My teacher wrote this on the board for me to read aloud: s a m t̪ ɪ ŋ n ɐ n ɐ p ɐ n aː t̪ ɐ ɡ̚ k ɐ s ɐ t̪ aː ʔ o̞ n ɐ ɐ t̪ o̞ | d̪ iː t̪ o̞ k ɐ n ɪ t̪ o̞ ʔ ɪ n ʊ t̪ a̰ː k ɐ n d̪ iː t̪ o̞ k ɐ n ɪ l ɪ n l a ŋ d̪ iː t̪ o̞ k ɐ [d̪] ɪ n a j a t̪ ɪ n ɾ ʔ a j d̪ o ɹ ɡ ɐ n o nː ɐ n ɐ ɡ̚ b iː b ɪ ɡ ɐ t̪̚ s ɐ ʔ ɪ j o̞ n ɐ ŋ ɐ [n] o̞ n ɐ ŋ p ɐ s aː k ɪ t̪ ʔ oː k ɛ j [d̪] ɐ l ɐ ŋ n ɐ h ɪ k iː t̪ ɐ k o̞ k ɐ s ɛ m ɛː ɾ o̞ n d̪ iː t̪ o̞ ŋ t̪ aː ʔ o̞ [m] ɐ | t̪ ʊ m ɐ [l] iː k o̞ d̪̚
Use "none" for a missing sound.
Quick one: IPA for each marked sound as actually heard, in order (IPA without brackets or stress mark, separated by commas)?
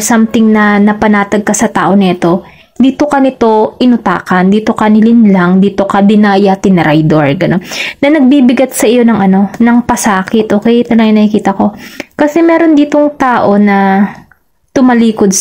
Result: d̪, n, t̪, n, l